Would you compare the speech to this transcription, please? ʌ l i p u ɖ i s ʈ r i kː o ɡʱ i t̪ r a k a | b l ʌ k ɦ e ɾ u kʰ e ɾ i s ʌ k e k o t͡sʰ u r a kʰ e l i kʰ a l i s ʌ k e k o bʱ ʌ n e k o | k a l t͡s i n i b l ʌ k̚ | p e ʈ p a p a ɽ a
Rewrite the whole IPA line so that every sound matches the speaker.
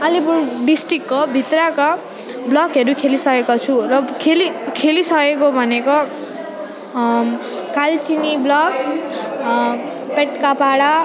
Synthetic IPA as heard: ʌ l i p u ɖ i s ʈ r i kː o bʱ i t̪ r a k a | b l ʌ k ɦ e ɾ u kʰ e l i s ʌ k e k o t͡sʰ u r ʌ kʰ e l i kʰ e l i s ʌ k e k o bʱ ʌ n e k o | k a l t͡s i n i b l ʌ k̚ | p e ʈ k a p a ɽ a